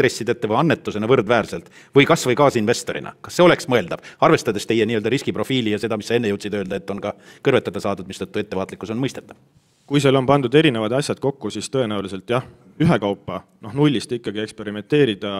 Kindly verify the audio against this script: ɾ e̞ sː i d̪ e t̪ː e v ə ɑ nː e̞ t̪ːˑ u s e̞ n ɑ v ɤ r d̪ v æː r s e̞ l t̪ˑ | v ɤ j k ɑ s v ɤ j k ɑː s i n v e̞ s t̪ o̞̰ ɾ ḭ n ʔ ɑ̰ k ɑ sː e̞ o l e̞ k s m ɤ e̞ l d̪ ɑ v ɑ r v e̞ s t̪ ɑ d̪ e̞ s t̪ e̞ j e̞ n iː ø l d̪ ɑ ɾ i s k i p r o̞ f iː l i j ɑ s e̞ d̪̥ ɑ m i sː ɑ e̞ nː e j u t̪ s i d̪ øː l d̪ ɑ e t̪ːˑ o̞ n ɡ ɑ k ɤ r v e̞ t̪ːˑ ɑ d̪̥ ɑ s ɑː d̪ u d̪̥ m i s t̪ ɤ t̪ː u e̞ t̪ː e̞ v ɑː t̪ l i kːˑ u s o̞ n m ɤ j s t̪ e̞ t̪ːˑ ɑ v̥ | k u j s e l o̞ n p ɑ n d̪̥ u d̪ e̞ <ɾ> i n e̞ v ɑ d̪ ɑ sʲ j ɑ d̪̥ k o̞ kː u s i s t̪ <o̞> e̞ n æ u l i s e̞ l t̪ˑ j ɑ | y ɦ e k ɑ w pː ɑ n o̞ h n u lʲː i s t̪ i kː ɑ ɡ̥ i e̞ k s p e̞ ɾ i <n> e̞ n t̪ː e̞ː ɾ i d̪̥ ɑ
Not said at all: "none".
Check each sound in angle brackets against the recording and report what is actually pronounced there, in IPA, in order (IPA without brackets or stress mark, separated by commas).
ɾ, ɤ̞, m